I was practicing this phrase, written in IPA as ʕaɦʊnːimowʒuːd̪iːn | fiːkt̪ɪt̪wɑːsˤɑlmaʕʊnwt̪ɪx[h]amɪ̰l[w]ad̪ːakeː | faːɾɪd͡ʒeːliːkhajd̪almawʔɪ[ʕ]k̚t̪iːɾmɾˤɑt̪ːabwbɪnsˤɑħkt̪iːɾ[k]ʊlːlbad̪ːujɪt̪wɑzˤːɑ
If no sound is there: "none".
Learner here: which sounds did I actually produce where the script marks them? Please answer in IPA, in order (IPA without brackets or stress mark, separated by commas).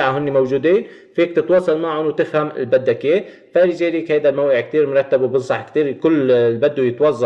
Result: h, b, ʕ, k